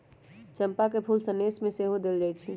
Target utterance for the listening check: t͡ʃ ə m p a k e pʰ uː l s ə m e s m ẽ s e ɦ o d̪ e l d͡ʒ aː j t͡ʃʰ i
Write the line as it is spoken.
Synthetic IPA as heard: t͡ʃ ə m p a k e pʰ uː l s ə n e s m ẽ s e ɦ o d̪ e l d͡ʒ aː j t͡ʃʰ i